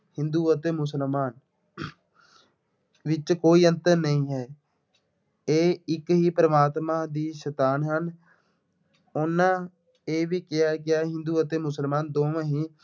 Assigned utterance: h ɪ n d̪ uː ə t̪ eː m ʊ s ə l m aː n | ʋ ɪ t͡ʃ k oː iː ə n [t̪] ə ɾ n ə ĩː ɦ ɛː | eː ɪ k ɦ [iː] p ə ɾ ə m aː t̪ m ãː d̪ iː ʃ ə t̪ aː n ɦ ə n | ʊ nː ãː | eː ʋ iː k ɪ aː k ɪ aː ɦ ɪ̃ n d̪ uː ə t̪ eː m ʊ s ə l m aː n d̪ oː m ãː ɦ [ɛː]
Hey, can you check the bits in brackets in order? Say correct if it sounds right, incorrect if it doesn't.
correct, correct, incorrect: iː

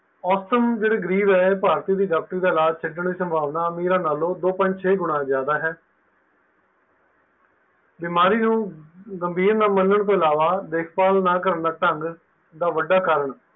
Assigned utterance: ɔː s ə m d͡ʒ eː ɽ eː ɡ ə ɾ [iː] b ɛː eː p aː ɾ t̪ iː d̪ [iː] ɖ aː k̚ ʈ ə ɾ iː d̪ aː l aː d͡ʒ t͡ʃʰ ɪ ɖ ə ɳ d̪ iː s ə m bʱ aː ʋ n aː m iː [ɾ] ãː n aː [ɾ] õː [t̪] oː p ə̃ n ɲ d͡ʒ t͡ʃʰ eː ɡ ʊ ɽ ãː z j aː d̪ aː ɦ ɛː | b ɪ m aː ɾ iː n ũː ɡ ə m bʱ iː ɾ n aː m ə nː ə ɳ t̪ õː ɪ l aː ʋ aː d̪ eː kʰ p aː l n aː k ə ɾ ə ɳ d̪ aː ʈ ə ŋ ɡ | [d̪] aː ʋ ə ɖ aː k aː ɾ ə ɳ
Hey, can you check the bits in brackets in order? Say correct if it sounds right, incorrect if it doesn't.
correct, correct, correct, incorrect: l, incorrect: d̪, correct

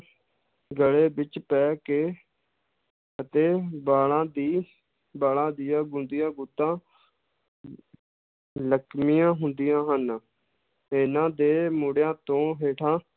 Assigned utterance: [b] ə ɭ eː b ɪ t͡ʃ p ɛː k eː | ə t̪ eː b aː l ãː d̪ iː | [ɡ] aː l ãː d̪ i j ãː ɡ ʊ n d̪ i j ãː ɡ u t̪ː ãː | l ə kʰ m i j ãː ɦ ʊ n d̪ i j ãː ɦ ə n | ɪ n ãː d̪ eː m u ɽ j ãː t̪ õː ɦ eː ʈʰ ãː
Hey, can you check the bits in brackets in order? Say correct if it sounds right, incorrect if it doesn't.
incorrect: ɡ, incorrect: b

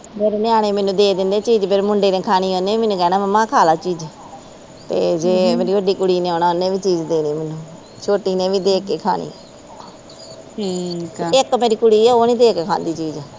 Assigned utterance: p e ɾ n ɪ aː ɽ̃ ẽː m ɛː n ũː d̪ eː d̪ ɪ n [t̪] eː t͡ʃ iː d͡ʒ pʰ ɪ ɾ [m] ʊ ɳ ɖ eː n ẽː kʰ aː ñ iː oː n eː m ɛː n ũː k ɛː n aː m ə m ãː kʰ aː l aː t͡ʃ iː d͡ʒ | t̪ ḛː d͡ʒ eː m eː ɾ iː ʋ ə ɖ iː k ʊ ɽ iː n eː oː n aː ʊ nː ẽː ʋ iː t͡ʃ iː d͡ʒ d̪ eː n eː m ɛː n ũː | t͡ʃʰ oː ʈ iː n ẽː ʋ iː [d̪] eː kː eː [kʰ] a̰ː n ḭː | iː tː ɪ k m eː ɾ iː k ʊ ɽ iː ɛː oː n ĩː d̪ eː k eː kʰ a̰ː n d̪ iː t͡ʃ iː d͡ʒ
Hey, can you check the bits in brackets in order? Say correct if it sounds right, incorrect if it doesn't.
incorrect: d̪, correct, correct, correct

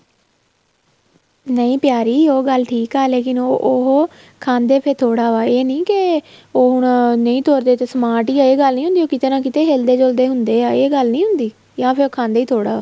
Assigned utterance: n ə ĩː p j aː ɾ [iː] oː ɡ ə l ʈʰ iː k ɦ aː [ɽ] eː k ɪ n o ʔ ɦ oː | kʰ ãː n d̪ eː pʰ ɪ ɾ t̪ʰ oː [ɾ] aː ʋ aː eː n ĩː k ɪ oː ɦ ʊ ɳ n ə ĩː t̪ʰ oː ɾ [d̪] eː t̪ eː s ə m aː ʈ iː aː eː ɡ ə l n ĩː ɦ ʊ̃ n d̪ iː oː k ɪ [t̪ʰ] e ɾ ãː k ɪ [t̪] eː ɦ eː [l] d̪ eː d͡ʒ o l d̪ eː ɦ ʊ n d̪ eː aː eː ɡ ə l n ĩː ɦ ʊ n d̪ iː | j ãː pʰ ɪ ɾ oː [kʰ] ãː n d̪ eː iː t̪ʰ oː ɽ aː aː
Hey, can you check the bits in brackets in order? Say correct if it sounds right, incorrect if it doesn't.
correct, incorrect: l, incorrect: ɽ, correct, incorrect: t̪, correct, correct, correct

